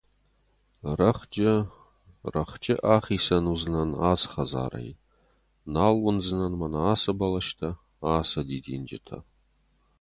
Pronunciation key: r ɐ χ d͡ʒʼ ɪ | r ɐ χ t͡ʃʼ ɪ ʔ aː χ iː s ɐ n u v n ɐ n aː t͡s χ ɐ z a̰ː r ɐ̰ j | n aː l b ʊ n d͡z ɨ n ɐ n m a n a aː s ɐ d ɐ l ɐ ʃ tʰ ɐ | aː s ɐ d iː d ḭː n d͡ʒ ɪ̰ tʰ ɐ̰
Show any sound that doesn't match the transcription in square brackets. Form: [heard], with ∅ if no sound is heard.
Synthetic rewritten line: r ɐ χ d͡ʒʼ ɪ | r ɐ χ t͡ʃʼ ɪ ʔ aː χ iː s ɐ n u [z] n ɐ n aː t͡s χ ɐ z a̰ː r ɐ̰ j | n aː l [w] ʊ n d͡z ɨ n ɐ n m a n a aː s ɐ [b] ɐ l ɐ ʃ tʰ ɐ | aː s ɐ d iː d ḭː n d͡ʒ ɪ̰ tʰ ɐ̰